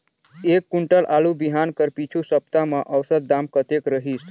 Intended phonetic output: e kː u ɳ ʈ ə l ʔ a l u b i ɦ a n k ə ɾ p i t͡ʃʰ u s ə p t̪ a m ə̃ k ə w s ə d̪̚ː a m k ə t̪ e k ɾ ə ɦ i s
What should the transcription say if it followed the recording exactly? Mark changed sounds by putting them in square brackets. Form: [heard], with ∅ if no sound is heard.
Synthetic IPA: e kː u ɳ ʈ ə l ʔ a l u b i ɦ a n k ə ɾ p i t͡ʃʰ u s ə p t̪ a m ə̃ [ʔ] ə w s ə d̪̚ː a m k ə t̪ e k ɾ ə ɦ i s